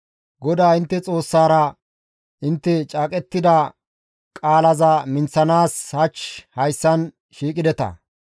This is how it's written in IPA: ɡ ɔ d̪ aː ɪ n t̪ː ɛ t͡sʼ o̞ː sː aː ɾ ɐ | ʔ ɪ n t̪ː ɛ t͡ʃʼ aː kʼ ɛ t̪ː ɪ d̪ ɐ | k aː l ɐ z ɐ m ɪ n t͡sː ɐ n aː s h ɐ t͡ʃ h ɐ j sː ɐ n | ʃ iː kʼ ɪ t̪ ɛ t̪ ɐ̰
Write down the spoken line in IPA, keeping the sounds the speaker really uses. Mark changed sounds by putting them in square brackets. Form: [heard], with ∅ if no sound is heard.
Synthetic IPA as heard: ɡ ɔ d̪ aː ɪ n t̪ː ɛ t͡sʼ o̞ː sː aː ɾ ɐ | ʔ ɪ n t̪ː ɛ t͡ʃʼ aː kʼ ɛ t̪ː ɪ d̪ ɐ | [kʼ] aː l ɐ z ɐ m ɪ n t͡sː ɐ n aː s h ɐ t͡ʃ h ɐ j sː ɐ n | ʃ iː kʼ ɪ [d̪] ɛ t̪ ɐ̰